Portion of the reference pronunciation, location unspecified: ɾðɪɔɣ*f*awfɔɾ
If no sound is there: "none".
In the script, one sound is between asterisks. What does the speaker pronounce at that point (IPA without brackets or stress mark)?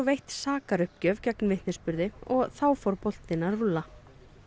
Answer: θ